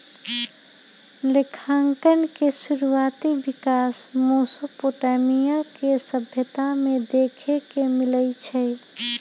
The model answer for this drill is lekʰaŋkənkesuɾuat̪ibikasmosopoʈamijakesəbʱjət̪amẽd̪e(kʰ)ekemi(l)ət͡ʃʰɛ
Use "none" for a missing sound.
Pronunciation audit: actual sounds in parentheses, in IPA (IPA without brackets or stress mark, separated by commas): kʰ, l